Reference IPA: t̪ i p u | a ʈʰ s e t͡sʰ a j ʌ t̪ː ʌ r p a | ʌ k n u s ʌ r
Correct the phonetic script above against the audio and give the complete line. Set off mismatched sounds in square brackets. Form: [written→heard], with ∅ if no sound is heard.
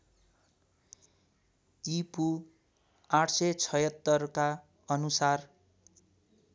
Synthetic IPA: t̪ i p u | a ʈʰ s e t͡sʰ [a→ʌ] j ʌ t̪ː ʌ r [p→k] a | ʌ [k→∅] n u s [ʌ→a] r